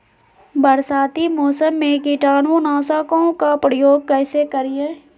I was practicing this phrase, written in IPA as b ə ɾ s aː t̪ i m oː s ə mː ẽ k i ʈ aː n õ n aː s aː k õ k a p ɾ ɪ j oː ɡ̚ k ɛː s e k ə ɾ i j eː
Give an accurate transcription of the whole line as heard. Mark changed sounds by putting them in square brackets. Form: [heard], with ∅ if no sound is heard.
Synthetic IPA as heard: b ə ɾ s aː t̪ i m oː s ə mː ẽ k i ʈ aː n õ n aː s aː k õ k a p ɾ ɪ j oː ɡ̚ k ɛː s e k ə ɾ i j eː